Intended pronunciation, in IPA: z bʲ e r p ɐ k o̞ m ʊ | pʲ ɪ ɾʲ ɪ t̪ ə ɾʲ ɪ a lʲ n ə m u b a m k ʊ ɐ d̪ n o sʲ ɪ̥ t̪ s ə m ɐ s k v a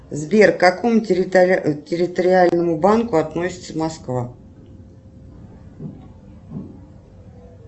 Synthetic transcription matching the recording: z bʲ e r k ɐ k o̞ m ʊ | tʲ ɪ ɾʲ ɪ t̪ ə ɾʲ ɪ a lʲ n ə m ʊ b a n k ʊ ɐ t̪ n o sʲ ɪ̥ t̪ s ə m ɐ s k v a